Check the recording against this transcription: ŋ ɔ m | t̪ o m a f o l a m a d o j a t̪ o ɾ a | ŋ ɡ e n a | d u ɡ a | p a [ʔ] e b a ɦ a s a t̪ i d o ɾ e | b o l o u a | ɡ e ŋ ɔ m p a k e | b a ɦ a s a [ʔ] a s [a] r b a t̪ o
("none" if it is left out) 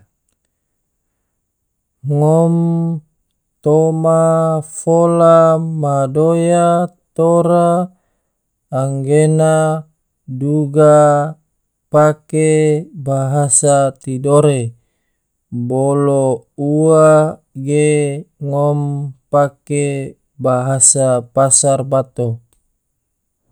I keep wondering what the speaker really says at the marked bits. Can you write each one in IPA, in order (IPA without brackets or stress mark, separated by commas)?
k, p, a